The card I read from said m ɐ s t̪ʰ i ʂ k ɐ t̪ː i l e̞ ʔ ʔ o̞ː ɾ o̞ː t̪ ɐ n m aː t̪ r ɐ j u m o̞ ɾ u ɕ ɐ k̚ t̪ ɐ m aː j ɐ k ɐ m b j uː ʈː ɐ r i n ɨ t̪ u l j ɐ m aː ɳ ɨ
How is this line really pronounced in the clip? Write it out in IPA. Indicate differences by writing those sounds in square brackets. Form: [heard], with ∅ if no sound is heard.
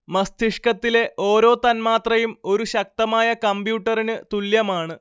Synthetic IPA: m ɐ s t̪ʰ i ʂ k ɐ t̪ː i l e̞ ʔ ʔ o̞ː ɾ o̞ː t̪ ɐ n m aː t̪ r ɐ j u m o̞ ɾ u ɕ ɐ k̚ t̪ ɐ m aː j ɐ k ɐ m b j uː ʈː ɐ r i n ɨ t̪ u l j ɐ m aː ɳ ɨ